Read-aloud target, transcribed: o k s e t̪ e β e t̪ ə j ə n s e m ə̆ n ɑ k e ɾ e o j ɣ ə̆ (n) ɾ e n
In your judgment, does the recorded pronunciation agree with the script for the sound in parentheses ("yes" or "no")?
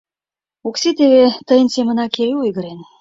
no